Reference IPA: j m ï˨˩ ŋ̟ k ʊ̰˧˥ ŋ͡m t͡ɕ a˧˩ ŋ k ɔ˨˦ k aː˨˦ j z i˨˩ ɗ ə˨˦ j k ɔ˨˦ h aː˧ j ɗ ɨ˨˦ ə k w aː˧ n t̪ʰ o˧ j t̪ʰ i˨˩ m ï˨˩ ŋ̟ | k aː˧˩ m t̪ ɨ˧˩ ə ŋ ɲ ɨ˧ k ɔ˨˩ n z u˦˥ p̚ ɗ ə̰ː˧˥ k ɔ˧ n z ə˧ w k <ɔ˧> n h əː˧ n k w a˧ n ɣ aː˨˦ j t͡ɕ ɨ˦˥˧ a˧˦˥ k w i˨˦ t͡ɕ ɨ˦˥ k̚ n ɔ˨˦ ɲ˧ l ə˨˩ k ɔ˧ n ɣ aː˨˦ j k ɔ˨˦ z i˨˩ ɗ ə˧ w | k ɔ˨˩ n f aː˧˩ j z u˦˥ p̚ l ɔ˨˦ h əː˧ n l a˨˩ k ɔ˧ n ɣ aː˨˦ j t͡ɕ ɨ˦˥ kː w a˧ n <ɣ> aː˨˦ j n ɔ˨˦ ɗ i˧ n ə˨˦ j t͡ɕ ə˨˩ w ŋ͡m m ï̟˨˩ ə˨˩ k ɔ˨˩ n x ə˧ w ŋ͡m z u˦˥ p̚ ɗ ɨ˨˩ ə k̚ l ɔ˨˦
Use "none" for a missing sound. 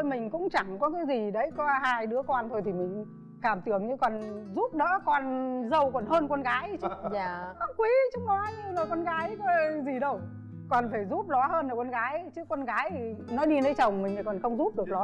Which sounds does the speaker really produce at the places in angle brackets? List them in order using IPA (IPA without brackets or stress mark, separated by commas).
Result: ɔ˨˩, ɣ